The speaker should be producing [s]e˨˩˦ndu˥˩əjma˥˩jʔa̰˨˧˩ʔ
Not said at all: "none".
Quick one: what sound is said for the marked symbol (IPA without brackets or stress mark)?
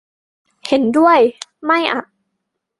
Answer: h